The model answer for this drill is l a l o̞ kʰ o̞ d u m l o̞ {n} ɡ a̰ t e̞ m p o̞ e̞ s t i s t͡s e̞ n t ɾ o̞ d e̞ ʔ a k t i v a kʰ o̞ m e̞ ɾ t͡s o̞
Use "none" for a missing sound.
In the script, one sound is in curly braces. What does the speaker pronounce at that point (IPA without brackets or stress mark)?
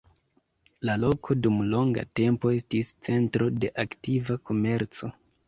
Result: ŋ